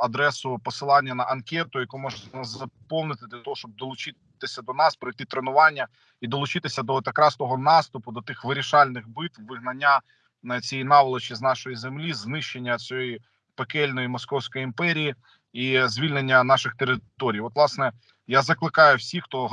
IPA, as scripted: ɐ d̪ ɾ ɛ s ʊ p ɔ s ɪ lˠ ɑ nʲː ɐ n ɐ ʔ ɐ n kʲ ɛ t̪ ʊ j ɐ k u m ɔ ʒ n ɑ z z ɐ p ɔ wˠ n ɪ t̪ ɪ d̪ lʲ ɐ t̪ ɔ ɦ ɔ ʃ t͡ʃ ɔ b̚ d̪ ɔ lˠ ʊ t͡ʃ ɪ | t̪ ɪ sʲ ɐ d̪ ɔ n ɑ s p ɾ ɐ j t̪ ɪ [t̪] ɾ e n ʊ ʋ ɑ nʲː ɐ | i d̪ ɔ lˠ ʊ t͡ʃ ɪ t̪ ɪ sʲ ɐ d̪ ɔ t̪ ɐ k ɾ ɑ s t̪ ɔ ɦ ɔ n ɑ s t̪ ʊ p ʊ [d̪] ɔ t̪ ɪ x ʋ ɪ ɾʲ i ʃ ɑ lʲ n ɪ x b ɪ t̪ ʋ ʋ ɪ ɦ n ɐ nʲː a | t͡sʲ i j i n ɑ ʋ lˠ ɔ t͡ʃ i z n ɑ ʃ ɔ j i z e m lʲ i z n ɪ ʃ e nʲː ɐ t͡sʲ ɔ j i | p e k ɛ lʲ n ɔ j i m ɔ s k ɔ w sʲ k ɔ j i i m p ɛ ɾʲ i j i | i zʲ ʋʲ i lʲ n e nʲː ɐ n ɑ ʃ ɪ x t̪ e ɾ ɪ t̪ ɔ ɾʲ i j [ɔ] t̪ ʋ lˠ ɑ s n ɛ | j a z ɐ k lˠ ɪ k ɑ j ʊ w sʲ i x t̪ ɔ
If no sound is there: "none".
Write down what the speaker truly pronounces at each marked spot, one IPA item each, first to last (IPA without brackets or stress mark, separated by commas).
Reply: t̪, d̪, ɔ